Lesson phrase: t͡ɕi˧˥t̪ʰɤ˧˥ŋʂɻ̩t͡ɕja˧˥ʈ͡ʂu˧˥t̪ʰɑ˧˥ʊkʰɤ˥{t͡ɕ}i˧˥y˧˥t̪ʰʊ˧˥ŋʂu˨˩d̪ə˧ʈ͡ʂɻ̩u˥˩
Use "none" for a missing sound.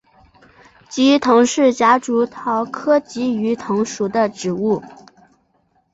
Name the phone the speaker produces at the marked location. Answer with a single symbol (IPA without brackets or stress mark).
t͡ɕ